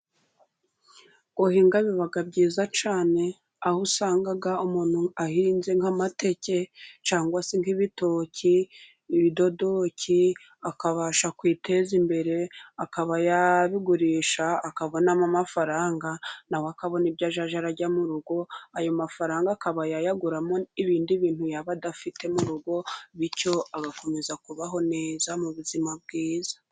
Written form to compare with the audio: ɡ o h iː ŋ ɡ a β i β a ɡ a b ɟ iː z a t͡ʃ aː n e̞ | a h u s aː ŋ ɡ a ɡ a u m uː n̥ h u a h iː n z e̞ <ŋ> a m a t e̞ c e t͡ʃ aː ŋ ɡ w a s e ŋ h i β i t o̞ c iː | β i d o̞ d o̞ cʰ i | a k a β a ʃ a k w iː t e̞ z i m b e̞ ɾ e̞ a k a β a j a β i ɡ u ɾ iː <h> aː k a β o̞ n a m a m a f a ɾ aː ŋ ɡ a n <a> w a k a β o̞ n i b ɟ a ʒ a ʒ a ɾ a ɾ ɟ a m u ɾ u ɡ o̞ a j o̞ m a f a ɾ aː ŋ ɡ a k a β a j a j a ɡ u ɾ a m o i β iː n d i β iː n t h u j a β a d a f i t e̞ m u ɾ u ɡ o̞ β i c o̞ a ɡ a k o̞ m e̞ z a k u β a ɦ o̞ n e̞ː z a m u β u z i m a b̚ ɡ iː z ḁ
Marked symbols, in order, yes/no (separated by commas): yes, no, yes